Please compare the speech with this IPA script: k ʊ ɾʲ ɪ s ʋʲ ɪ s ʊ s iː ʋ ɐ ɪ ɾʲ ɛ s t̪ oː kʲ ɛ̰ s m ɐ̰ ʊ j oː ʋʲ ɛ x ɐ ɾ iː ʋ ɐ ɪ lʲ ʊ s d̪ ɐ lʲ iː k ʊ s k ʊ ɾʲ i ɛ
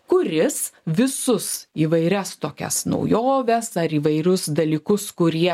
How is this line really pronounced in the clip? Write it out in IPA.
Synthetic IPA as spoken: k ʊ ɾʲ ɪ s ʋʲ ɪ s ʊ s iː ʋ ɐ ɪ ɾʲ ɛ s t̪ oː kʲ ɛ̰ s n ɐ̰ ʊ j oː ʋʲ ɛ s ɐ ɾ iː ʋ ɐ ɪ ɾʲ ʊ s d̪ ɐ lʲ iː k ʊ s k ʊ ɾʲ i ɛ